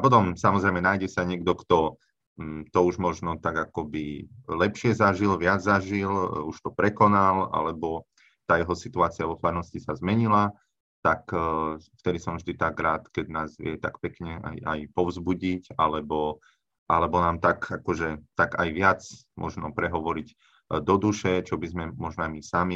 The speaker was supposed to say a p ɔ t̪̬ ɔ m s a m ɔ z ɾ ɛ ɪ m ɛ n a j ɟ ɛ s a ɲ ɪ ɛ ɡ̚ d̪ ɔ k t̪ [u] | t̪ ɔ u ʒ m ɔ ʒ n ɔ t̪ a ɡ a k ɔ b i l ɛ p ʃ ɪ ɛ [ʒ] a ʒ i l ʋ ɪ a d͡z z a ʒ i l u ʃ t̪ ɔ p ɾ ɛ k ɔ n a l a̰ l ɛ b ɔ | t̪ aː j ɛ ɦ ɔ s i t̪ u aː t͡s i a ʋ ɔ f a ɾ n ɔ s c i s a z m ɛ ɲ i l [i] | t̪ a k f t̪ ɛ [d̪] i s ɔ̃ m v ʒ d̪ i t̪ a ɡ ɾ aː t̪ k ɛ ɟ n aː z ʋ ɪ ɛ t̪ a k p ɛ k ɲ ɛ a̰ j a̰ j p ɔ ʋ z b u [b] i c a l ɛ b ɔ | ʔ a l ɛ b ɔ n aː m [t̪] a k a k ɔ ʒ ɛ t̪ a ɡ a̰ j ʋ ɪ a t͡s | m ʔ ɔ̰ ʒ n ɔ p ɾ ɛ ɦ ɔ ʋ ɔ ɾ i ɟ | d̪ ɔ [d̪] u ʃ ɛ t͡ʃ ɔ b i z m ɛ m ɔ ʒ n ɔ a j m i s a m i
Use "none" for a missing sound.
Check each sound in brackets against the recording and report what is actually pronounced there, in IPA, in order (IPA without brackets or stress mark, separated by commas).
ɔ, z, a, d̪, ɟ, t̪, d̪